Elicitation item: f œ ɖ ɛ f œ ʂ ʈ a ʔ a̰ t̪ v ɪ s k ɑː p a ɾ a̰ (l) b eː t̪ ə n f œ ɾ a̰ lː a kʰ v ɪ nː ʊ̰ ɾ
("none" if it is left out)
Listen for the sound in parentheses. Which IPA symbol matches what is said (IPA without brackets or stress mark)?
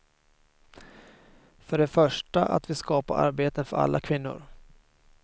ɾ